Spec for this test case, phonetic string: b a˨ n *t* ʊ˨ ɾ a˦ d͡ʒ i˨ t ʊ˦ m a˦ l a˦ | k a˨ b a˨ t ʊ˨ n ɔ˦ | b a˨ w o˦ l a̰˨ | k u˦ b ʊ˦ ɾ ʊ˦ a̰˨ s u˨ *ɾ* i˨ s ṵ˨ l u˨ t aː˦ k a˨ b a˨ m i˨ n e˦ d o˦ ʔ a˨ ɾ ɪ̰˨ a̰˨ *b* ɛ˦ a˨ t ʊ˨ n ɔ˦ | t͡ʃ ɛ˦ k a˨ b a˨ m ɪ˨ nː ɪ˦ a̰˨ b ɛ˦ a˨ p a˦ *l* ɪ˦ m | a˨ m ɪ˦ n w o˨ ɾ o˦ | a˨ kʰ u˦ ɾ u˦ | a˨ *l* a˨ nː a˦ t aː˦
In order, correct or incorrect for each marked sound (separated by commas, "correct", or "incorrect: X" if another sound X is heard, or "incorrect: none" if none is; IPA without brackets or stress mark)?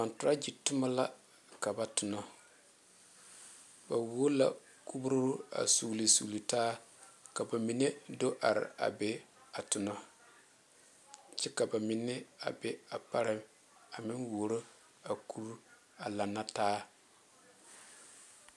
correct, incorrect: l, correct, incorrect: ɾ, correct